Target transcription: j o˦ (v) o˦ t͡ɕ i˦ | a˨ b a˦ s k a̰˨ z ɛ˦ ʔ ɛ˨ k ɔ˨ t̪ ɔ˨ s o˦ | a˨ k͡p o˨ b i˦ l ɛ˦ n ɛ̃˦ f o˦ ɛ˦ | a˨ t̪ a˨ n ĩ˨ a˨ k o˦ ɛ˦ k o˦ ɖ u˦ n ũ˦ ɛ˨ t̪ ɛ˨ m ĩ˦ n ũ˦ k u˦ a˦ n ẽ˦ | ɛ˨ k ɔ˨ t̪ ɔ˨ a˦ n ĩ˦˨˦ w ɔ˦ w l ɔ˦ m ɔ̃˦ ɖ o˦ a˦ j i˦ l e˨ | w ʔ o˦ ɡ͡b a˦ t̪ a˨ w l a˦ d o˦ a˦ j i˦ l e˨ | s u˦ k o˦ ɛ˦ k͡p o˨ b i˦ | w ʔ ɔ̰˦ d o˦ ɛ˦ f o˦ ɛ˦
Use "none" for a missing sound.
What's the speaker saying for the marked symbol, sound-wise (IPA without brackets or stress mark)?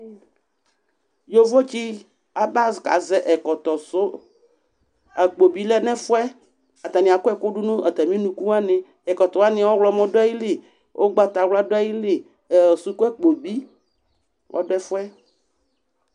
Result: v